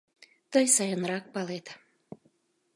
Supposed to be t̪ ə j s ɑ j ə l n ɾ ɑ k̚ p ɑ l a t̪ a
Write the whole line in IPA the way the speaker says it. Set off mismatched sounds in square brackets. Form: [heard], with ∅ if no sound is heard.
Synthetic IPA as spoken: t̪ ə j s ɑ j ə [∅] n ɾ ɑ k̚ p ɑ l [e] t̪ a